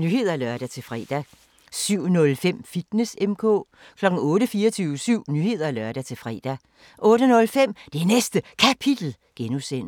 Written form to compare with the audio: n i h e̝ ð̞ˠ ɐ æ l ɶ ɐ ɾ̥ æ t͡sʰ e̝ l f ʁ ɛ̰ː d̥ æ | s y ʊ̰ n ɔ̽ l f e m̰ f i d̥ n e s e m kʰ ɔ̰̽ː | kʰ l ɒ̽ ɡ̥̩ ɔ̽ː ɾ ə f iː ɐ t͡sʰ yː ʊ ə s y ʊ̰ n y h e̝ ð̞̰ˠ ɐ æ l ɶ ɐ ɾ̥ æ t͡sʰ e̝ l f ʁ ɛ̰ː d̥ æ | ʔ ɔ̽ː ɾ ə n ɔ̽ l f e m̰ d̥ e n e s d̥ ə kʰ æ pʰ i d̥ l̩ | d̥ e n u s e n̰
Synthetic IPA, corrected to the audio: n y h e̝ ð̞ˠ ɐ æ l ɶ ɐ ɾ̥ æ t͡sʰ e̝ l f ʁ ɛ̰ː d̥ æ | s y ʊ̰ n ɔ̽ l f e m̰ f i d̥ n e s e m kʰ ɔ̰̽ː | kʰ l ɒ̽ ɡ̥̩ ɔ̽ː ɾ ə f iː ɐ t͡sʰ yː ʊ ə s y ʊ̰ n y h e̝ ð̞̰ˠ ɐ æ l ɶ ɐ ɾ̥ æ t͡sʰ e̝ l f ʁ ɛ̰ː d̥ æ | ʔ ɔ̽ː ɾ ə n ɔ̽ l f e m̰ d̥ e n e s d̥ ə kʰ æ pʰ i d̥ l̩ | ɡ̥ e n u s e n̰